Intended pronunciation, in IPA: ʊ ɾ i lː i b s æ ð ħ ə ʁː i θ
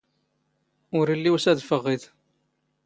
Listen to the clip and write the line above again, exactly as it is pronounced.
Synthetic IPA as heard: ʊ ɾ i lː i w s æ ð f ə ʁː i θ